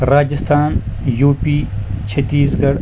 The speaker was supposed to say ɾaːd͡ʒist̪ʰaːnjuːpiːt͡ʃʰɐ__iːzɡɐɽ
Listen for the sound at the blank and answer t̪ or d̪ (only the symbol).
t̪